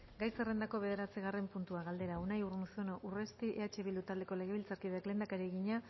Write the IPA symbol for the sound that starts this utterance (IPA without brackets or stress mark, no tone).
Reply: ɡ